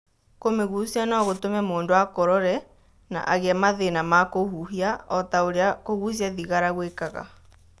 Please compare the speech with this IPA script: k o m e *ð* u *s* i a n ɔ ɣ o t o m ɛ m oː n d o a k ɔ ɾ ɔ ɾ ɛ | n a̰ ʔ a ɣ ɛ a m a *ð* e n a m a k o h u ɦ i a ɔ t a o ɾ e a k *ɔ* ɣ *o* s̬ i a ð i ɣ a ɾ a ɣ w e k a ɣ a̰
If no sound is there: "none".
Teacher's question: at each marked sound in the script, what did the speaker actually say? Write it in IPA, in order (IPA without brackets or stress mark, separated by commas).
ɣ, s, ð, o, u